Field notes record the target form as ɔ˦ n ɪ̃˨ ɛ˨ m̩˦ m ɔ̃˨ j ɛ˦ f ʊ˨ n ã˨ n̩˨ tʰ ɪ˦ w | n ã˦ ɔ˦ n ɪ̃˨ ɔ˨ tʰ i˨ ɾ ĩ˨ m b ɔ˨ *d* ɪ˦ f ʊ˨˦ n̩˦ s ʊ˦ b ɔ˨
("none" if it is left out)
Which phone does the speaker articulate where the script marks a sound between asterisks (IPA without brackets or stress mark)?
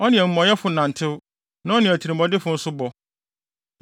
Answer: d